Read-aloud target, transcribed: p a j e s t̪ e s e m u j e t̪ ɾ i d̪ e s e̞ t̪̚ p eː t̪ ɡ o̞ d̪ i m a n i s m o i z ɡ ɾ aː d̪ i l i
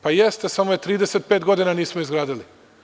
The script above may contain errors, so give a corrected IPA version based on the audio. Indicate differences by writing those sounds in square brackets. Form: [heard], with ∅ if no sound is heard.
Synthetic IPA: p a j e s t̪ e s [a] m [o] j e t̪ ɾ [iː] d̪ e s e̞ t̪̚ p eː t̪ ɡ o̞ d̪ i [n] a n [iː] s m o i z ɡ ɾ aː d̪ i l i